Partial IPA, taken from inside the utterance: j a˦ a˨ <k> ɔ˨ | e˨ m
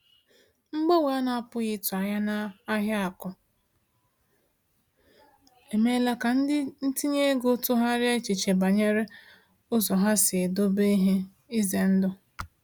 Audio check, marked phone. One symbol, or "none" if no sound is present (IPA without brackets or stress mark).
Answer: k